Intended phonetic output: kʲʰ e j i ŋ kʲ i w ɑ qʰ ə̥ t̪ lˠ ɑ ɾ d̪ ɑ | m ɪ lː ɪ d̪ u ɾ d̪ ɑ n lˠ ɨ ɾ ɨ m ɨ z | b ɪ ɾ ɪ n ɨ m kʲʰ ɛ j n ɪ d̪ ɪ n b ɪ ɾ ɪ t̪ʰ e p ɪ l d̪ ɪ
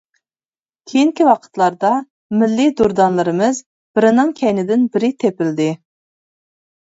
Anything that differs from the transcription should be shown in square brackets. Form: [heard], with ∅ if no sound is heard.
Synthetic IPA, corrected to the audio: kʲʰ e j i ŋ kʲ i w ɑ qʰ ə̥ t̪ lˠ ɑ ɾ d̪ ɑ | m ɪ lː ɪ d̪ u ɾ d̪ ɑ n lˠ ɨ ɾ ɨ m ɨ z | b ɪ ɾ ɪ n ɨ [ŋ] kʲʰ ɛ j n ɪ d̪ ɪ n b ɪ ɾ ɪ t̪ʰ e p ɪ l d̪ ɪ